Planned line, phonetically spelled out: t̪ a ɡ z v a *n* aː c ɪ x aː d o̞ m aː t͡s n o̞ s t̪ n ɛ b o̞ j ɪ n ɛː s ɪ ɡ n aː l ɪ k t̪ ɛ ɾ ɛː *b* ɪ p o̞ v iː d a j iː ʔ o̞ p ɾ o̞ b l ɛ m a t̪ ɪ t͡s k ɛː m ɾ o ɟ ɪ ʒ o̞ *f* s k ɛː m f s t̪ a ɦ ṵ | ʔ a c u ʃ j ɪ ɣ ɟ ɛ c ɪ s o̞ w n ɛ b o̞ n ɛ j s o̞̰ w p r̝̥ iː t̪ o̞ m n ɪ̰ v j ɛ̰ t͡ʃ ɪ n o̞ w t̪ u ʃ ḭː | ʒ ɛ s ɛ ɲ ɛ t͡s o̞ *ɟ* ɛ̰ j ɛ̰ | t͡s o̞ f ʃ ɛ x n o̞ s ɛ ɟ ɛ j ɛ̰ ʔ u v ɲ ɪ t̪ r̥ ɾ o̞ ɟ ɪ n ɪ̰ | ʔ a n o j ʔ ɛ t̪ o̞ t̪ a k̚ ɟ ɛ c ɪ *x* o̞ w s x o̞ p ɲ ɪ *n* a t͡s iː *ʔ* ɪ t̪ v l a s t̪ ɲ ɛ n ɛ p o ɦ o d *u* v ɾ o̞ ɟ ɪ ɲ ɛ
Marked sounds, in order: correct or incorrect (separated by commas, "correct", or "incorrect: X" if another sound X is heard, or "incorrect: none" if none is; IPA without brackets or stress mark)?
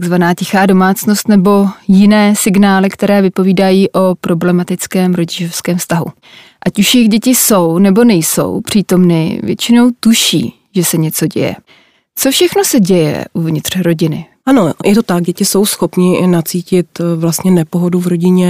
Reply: correct, incorrect: v, correct, correct, incorrect: s, correct, incorrect: c, correct